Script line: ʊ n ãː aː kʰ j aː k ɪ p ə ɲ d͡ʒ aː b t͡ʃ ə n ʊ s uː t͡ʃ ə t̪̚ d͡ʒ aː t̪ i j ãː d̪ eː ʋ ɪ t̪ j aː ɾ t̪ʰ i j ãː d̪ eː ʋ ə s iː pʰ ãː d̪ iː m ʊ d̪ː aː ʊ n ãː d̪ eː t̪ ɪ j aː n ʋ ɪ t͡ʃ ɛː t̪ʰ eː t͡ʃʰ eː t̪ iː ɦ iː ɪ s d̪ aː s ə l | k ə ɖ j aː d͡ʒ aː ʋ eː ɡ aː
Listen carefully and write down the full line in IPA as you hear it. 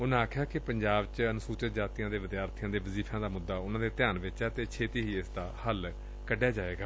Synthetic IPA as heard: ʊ n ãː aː kʰ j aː k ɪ p ə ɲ d͡ʒ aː b t͡ʃ ə n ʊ s uː t͡ʃ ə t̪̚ d͡ʒ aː t̪ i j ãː d̪ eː ʋ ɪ d̪ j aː ɾ t̪ʰ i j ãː d̪ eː ʋ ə z iː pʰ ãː d̪ aː m ʊ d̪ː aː ʊ n ãː d̪ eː t̪ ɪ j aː n ʋ ɪ t͡ʃ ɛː t̪ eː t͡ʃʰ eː t̪ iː ɦ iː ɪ s d̪ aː h ə l | k ə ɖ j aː d͡ʒ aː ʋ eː ɡ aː

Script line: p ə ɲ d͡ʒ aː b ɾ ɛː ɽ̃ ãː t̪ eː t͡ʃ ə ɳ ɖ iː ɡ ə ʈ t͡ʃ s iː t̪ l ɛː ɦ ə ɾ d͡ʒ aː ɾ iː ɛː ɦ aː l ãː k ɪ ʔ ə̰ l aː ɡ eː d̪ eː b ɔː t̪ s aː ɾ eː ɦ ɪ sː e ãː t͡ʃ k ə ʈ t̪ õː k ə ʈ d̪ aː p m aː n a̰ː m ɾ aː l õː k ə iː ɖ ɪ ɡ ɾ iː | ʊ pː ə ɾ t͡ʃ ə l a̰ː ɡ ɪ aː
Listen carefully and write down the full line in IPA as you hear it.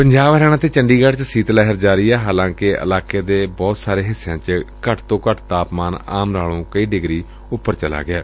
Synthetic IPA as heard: p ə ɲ d͡ʒ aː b ɾ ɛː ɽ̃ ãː t̪ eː t͡ʃ ə ɳ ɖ iː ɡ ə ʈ t͡ʃ s iː t̪ l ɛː ɦ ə ɾ d͡ʒ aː ɾ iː ɛː ɦ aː l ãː k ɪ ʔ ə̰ l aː k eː d̪ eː b ɔː t̪ s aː ɾ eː ɦ ɪ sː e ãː t͡ʃ k ə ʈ t̪ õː k ə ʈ t̪ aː p m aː n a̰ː m ɾ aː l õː k ə iː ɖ ɪ ɡ ɾ iː | ʊ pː ə ɾ t͡ʃ ə l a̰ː ɡ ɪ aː

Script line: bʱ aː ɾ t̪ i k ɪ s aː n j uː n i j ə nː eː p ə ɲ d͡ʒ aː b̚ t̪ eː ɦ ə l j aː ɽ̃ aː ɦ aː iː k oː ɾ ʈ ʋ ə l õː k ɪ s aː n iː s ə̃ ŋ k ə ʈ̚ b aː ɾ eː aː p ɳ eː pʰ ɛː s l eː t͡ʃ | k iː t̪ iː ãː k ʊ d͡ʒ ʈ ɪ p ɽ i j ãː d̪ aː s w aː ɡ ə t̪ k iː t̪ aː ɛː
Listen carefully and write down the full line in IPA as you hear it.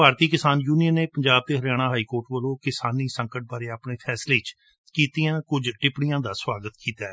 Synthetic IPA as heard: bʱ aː ɾ t̪ iː k ɪ s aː n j uː n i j ə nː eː p ə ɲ d͡ʒ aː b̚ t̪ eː ɦ ə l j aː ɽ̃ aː ɦ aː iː k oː ɾ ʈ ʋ ə l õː k ɪ s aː n iː s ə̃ ŋ k ə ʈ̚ b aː ɾ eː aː p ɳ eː pʰ ɛː s l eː t͡ʃ | k iː t̪ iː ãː k ʊ d͡ʒ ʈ ɪ p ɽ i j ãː d̪ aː s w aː ɡ ə t̪ k iː t̪ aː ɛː

